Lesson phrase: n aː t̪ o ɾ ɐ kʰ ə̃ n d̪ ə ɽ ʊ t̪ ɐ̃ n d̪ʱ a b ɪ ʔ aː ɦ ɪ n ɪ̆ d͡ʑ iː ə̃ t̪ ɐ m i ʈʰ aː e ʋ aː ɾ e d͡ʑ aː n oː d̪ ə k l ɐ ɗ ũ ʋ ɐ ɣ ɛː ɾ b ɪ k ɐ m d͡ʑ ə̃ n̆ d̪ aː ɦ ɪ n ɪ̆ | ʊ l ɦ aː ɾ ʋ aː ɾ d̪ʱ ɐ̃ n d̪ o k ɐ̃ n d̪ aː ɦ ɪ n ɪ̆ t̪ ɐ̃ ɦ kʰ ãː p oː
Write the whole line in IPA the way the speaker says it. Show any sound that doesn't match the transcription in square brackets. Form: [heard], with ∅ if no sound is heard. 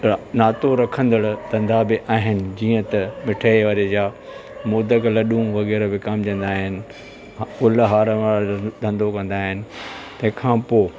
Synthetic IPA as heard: n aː t̪ o ɾ ɐ kʰ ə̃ n d̪ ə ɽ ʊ t̪ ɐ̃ n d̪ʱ a b ɪ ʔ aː ɦ ɪ n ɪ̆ d͡ʑ iː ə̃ t̪ ɐ m [ɪ] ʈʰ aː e ʋ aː ɾ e d͡ʑ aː [m] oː d̪ ə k l ɐ ɗ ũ ʋ ɐ ɣ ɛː ɾ b ɪ k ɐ m d͡ʑ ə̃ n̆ d̪ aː ɦ ɪ n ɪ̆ | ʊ l ɦ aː ɾ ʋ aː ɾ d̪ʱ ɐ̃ n d̪ o k ɐ̃ n d̪ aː ɦ ɪ n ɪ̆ t̪ ɐ̃ ɦ kʰ ãː p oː